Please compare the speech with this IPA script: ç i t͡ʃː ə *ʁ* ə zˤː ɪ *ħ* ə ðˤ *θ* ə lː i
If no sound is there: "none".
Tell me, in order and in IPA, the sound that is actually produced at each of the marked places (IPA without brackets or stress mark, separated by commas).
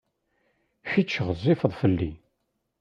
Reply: ʁ, f, f